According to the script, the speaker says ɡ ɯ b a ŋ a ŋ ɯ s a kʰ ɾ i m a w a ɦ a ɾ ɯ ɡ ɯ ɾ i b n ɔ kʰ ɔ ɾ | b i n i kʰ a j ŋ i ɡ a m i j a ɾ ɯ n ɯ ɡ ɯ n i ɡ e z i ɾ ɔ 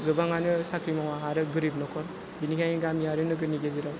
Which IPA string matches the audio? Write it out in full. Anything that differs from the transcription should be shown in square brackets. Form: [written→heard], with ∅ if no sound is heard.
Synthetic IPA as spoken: ɡ ɯ b a ŋ a [ŋ→n] ɯ s a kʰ ɾ i m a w a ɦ a ɾ ɯ ɡ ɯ ɾ i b n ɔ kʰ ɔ ɾ | b i n i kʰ a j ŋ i ɡ a m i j a ɾ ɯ n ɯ ɡ ɯ n i ɡ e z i ɾ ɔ